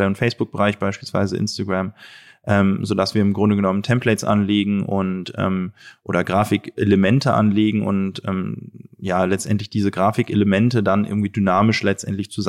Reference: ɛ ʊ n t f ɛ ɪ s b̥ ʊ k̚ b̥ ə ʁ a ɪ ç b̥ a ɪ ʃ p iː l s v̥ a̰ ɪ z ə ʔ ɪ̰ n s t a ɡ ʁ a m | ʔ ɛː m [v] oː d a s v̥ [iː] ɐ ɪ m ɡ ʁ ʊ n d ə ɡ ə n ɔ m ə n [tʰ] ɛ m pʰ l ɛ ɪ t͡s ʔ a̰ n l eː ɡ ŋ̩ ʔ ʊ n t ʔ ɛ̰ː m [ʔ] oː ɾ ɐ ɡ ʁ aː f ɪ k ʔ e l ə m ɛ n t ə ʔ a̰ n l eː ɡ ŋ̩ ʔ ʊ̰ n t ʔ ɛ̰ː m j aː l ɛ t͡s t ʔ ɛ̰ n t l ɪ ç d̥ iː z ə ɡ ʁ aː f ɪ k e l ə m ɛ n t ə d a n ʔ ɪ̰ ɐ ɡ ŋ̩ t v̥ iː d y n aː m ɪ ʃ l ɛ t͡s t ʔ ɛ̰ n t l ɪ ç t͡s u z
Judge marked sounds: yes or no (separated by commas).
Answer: no, yes, yes, yes